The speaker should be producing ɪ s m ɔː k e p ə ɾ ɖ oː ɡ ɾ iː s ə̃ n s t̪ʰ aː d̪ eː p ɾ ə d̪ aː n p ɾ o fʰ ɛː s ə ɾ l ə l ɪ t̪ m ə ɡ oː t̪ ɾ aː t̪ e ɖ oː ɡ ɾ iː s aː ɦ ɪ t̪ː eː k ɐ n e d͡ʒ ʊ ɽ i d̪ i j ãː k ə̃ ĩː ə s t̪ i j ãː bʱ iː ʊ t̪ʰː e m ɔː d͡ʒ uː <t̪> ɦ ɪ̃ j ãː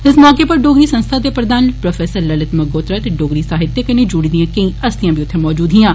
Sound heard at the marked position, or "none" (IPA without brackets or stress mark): d̪